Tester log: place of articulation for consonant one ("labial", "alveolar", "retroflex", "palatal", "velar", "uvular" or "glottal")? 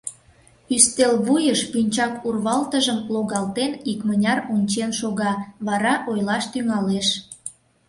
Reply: alveolar